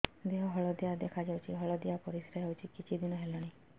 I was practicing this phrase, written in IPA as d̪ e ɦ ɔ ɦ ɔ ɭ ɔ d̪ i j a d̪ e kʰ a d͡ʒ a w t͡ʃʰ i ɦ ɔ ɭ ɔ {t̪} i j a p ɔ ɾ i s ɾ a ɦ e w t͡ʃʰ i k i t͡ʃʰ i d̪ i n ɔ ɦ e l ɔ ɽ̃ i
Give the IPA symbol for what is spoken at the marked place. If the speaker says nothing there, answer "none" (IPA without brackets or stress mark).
d̪